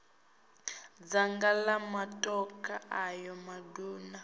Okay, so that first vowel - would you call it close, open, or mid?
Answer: open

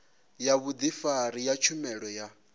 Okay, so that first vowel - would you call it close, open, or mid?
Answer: open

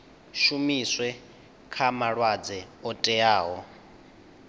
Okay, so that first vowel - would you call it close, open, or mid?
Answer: close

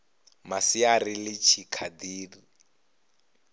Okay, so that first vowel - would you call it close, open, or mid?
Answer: open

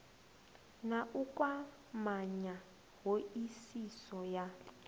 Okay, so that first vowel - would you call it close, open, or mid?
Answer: open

